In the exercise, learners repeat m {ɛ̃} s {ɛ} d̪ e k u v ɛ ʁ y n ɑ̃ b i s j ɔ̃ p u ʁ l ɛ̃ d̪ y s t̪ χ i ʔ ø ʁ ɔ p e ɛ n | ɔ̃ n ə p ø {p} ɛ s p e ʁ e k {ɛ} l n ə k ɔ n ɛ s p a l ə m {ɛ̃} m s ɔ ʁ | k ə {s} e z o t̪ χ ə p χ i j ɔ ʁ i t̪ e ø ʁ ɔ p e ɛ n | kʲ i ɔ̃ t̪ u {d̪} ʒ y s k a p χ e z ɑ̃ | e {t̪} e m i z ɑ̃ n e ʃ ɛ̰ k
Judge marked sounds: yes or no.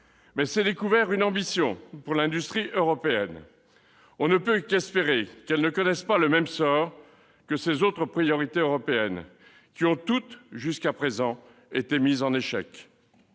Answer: no, yes, no, yes, no, yes, no, yes

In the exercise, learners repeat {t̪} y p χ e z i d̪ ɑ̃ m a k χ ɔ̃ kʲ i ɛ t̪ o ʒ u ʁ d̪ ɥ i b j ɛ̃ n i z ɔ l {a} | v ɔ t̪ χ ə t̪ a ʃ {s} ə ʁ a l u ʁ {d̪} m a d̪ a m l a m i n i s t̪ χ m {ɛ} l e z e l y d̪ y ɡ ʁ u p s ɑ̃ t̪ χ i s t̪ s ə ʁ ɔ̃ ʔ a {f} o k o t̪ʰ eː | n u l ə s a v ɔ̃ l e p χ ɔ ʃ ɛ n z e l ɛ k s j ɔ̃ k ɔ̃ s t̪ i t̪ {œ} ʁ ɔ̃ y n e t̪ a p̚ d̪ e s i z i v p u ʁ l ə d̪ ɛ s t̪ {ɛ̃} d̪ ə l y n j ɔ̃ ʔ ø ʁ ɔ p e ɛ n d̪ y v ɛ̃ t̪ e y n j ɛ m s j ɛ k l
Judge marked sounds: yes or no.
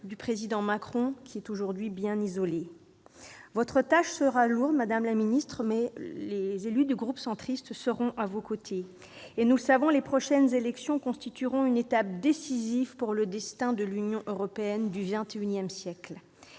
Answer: no, no, yes, yes, yes, no, no, yes

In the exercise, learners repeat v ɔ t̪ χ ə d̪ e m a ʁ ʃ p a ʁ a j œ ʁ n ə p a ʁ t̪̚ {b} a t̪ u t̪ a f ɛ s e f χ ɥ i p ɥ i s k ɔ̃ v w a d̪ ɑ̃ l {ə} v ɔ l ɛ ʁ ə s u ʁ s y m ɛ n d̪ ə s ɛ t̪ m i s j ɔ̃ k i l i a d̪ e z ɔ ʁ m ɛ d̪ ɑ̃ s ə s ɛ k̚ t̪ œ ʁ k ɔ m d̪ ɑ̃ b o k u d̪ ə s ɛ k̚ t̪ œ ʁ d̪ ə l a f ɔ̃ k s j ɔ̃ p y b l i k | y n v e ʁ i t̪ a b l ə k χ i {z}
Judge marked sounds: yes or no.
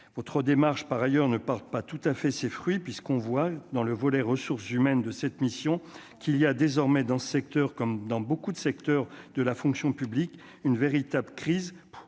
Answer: no, yes, yes

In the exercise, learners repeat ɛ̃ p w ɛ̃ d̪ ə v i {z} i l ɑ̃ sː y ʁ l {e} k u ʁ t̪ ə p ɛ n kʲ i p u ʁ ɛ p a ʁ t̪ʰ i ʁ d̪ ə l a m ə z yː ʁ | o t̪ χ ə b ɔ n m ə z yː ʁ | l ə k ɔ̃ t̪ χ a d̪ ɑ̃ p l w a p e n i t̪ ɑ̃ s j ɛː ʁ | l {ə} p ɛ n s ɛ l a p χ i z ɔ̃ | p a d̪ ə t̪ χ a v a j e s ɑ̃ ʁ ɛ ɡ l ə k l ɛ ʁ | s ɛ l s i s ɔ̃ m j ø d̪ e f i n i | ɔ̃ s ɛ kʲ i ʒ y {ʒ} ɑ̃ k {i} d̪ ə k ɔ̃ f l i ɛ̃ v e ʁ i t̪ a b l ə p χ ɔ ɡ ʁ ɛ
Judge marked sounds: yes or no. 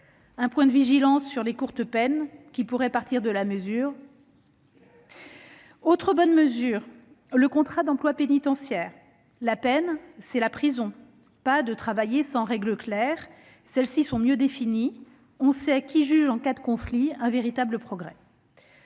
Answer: no, yes, no, yes, no

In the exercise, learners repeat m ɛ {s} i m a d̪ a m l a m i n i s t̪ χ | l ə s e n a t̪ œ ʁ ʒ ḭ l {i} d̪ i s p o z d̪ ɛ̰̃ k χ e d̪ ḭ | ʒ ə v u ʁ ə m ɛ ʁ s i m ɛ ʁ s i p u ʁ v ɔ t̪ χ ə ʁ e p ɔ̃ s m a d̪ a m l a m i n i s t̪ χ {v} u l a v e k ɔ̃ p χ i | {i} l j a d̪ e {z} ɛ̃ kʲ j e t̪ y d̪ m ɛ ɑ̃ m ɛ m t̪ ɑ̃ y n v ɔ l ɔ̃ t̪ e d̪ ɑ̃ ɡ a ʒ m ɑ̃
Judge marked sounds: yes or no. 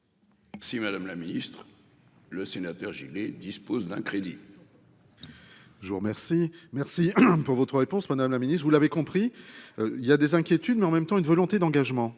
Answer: yes, no, yes, yes, yes

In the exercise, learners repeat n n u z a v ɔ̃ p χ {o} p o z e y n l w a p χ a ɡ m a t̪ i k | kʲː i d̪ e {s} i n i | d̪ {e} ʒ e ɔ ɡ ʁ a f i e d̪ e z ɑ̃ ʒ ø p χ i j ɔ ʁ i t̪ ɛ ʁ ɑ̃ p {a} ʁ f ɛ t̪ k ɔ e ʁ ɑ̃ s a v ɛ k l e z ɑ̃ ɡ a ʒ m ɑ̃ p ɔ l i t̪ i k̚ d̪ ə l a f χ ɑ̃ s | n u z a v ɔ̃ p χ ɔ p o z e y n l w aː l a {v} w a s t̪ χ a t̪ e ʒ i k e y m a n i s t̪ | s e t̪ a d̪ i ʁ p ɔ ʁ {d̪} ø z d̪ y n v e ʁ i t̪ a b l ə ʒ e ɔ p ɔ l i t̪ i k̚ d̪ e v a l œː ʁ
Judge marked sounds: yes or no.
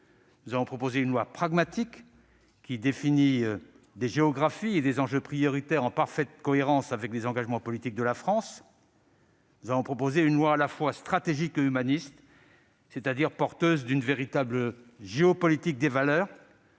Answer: no, no, yes, yes, no, no

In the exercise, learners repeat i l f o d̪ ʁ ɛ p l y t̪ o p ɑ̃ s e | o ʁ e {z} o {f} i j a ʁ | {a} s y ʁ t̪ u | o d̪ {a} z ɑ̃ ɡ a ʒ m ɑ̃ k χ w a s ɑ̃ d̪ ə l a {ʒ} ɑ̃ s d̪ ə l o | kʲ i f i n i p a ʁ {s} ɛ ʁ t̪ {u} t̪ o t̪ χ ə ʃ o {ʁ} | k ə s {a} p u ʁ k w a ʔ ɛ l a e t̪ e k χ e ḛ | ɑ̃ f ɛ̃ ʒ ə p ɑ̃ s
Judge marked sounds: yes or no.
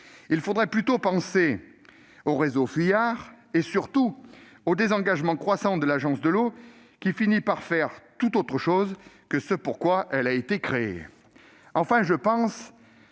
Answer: yes, yes, no, no, yes, no, yes, no, no

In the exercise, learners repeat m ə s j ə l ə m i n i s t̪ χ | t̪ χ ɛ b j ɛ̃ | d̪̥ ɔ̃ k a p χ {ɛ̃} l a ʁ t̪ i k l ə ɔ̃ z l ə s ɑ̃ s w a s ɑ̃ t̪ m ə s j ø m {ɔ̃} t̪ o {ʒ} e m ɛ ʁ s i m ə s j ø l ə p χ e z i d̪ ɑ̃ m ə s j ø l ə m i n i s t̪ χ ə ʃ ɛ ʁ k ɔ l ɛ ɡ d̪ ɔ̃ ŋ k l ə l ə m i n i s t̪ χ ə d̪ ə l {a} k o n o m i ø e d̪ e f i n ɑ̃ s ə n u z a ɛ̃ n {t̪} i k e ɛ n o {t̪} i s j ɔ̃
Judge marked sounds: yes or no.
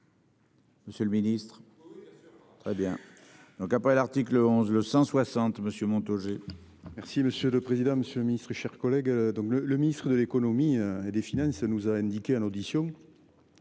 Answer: no, yes, yes, no, no, no

